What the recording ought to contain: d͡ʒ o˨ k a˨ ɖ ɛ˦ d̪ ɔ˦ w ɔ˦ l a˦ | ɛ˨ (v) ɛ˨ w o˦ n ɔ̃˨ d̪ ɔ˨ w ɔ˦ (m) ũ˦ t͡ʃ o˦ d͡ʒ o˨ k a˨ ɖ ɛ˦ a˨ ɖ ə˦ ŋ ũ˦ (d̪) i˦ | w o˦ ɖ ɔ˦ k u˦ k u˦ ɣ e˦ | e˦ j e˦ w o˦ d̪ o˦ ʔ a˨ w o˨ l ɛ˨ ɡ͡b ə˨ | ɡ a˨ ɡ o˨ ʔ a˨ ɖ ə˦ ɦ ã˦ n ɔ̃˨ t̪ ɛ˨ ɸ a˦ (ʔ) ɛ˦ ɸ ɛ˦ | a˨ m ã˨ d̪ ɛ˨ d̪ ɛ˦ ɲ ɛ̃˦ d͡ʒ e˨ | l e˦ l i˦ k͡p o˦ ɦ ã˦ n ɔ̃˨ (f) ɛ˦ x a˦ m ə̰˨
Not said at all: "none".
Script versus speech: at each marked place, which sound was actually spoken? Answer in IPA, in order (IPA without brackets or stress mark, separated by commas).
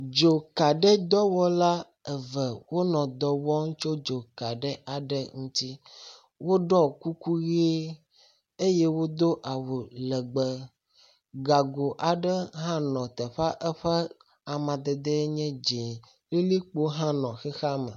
v, ŋ, t̪, ʔ, x